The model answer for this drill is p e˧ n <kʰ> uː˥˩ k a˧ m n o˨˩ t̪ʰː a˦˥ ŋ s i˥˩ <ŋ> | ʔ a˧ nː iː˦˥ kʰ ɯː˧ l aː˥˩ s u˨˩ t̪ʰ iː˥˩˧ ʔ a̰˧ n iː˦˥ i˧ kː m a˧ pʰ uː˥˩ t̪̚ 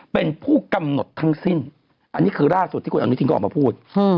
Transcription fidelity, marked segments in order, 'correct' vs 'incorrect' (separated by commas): incorrect, incorrect